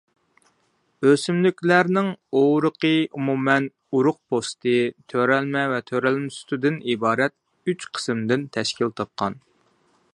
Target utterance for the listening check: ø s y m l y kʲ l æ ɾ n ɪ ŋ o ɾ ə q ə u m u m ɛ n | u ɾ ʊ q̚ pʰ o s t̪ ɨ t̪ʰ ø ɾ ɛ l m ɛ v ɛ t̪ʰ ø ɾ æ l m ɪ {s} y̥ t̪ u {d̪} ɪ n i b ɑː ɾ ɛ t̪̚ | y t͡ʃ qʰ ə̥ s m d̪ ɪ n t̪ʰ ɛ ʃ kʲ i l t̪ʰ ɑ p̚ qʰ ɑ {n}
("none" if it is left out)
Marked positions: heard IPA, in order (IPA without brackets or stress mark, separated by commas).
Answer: s, d̪, n